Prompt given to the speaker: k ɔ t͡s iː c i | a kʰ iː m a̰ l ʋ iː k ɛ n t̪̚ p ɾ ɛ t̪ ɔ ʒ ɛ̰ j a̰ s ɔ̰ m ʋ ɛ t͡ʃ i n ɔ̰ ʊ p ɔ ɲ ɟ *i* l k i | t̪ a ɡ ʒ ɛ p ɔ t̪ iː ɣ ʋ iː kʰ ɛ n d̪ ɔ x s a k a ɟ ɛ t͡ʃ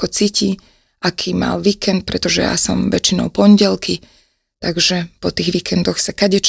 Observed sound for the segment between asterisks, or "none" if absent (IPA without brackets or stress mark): ɛ